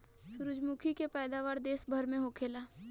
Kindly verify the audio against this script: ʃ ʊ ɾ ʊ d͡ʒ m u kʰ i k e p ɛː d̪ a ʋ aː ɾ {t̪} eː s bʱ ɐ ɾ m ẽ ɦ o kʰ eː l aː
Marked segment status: incorrect: d̪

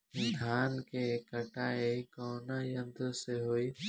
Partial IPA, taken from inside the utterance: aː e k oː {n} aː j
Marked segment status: correct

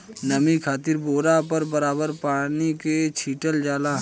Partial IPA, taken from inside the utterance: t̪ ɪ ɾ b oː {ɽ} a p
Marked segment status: incorrect: ɾ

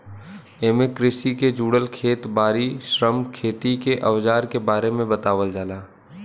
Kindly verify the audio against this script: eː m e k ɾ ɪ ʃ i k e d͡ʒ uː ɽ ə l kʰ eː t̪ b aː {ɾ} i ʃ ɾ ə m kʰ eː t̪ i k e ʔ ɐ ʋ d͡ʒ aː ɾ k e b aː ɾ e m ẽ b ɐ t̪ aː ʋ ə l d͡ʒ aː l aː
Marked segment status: correct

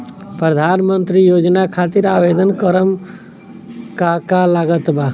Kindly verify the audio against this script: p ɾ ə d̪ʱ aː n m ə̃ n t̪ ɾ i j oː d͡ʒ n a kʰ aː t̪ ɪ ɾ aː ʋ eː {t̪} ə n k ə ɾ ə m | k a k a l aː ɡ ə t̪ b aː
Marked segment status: incorrect: d̪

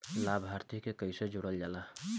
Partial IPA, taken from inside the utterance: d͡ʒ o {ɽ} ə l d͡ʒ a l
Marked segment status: correct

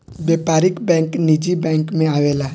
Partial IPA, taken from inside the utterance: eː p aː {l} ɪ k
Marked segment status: incorrect: ɾ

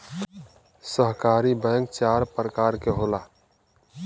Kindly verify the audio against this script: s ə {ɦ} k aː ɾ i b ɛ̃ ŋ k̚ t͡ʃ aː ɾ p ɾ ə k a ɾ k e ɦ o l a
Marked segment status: correct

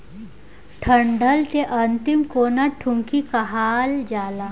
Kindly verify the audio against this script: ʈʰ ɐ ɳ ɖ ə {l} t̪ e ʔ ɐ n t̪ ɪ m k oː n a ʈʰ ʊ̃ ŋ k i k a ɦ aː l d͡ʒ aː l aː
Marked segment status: correct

